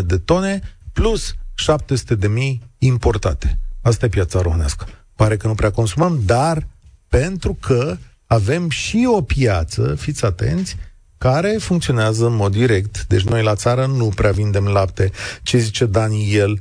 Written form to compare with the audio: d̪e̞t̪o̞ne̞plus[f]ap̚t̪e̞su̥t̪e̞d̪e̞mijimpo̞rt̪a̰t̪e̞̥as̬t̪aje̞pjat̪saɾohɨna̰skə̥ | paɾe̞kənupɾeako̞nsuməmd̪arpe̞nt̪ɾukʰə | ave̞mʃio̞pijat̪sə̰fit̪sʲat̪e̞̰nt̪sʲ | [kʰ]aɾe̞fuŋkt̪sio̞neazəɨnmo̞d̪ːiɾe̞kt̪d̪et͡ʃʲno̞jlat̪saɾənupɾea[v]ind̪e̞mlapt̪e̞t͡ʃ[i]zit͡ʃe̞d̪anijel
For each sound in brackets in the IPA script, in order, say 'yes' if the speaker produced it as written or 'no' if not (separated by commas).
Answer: no, no, yes, no